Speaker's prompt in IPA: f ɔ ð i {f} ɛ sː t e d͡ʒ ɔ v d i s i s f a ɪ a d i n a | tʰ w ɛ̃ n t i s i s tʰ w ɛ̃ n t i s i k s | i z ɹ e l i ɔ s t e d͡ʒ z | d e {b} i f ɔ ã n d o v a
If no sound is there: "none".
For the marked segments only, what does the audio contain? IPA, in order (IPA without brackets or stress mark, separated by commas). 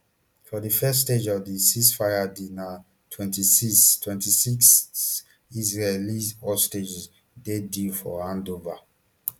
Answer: f, d